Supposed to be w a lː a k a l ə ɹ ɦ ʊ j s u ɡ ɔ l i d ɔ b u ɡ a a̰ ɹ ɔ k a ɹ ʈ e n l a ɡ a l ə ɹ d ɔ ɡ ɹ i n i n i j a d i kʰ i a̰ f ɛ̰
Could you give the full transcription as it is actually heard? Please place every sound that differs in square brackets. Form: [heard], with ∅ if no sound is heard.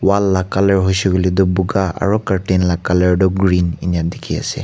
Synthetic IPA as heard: w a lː a k a l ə ɹ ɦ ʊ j s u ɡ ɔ l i d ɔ b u ɡ a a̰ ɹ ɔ k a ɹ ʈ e n l a [k] a l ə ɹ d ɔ ɡ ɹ i n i n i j a d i kʰ i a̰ [s] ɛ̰